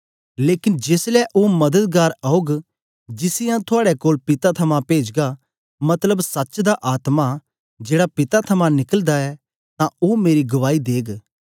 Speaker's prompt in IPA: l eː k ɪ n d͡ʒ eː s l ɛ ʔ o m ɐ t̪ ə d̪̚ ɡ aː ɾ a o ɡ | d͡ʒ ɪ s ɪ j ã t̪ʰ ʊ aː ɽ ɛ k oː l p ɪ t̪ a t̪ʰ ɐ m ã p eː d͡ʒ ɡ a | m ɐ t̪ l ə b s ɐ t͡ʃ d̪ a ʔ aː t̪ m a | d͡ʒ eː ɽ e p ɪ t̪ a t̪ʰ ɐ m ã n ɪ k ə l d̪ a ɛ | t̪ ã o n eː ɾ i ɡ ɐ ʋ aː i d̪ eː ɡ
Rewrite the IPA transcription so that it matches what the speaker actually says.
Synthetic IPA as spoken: l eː k ɪ n d͡ʒ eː s l ɛ ʔ o m ɐ d̪ ə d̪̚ ɡ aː ɾ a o ɡ | d͡ʒ ɪ s ɪ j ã t̪ʰ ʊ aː ɽ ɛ k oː l p ɪ t̪ a t̪ʰ ɐ m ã p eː d͡ʒ ɡ a | m ɐ t̪ l ə b s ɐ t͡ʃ d̪ a ʔ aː t̪ m a | d͡ʒ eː ɽ a p ɪ t̪ a t̪ʰ ɐ m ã n ɪ k ə l d̪ a ɛ | t̪ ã o m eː ɾ i ɡ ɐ ʋ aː i d̪ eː ɡ